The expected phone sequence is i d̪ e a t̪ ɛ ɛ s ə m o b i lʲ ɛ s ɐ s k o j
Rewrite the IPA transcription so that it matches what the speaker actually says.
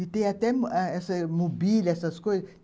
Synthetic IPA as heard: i t̪ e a t̪ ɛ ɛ s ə m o b i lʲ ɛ s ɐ s k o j